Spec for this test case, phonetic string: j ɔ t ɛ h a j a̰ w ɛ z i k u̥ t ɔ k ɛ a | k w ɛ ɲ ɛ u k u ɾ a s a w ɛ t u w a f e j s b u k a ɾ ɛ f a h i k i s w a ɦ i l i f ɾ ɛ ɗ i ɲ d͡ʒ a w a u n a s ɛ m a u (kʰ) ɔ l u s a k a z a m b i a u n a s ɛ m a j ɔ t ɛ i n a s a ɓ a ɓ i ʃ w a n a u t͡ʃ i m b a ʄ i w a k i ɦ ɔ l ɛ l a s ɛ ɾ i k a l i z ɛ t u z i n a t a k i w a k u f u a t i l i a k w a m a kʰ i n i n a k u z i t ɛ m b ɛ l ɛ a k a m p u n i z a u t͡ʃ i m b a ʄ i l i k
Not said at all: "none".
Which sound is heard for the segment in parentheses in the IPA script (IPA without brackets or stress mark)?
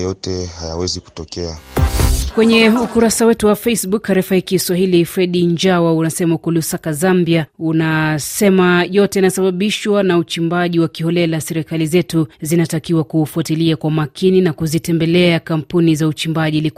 k